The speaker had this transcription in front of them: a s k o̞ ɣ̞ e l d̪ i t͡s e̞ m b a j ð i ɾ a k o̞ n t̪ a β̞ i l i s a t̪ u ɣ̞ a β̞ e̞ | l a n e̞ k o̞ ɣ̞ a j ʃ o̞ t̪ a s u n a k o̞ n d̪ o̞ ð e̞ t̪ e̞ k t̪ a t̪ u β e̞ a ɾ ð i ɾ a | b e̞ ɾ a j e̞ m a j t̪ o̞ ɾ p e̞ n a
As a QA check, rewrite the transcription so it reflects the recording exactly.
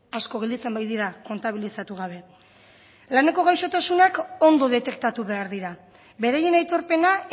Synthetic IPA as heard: a s k o̞ ɣ̞ e l d̪ i t͡s e̞ m b a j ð i ɾ a k o̞ n t̪ a β̞ i l i s a t̪ u ɣ̞ a β̞ e̞ | l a n e̞ k o̞ ɣ̞ a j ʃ o̞ t̪ a s u n a k o̞ n d̪ o̞ ð e̞ t̪ e̞ k t̪ a t̪ u β e̞ a ɾ ð i ɾ a | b e̞ ɾ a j e̞ n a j t̪ o̞ ɾ p e̞ n a